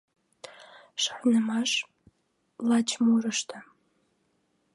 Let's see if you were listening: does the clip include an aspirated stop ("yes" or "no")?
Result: yes